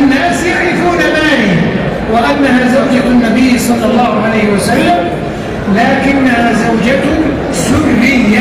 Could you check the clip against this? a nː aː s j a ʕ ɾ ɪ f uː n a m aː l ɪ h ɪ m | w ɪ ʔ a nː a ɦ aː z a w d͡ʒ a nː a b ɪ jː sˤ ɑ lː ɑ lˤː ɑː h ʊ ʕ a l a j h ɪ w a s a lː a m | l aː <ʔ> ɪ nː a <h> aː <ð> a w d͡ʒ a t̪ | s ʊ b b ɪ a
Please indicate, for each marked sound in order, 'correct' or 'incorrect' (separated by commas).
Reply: incorrect, correct, incorrect